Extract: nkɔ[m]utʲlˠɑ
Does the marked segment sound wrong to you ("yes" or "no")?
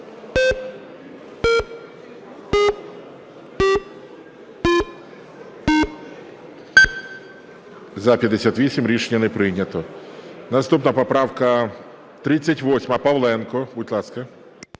yes